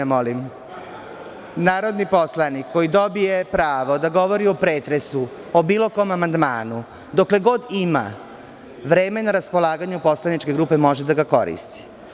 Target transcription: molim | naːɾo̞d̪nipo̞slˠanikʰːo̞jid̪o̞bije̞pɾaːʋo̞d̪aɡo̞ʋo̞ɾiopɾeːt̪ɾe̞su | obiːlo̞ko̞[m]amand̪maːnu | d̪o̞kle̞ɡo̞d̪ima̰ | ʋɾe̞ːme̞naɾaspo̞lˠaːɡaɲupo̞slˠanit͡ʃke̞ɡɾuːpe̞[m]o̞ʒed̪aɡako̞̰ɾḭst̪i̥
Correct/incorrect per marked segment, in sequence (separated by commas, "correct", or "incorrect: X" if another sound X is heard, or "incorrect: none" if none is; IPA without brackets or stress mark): correct, correct